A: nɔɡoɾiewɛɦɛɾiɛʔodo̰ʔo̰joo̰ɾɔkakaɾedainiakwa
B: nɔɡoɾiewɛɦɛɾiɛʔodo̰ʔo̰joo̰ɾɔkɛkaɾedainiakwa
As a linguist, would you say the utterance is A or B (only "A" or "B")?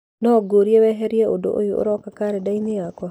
A